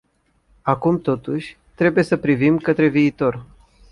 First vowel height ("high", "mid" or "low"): low